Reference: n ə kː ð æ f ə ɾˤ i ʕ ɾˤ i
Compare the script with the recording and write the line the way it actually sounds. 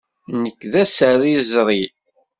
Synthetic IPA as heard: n ə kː ð æ s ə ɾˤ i z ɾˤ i